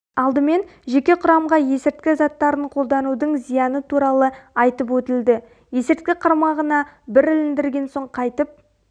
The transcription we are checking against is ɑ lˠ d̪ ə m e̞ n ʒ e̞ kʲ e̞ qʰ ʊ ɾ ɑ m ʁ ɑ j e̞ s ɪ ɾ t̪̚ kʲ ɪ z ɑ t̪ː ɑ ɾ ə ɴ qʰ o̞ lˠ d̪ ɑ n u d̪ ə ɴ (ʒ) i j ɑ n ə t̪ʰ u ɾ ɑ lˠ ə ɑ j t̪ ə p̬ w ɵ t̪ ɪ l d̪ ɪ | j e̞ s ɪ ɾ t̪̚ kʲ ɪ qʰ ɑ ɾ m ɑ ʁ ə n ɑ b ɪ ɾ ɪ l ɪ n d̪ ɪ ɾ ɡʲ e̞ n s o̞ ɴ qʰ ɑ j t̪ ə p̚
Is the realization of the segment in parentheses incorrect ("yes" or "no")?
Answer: yes